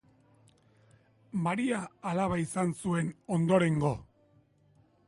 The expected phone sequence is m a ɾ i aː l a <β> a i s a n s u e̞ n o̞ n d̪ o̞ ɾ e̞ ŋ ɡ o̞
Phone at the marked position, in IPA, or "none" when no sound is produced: β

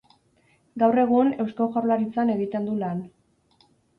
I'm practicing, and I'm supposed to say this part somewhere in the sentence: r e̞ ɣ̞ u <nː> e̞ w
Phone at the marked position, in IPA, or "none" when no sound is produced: n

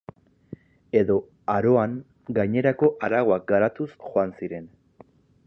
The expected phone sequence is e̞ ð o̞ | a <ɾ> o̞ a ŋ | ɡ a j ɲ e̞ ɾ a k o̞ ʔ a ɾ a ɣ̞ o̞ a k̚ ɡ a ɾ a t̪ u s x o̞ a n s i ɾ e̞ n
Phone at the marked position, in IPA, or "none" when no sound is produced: ɾ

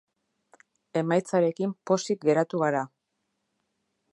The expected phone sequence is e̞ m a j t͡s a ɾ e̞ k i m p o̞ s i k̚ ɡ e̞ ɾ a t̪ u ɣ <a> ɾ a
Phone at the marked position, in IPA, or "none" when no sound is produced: a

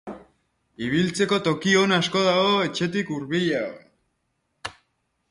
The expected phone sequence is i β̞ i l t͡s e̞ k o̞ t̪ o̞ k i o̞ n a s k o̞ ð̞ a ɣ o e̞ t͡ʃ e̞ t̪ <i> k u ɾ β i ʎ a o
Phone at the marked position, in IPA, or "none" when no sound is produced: i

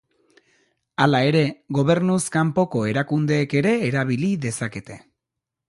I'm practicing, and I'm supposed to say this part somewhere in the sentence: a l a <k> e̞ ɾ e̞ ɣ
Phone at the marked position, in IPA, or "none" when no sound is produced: none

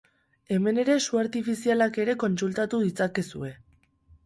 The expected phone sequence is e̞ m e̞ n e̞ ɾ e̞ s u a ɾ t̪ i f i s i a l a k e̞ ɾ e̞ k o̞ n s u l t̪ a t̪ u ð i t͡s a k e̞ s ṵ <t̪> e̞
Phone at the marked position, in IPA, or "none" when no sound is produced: none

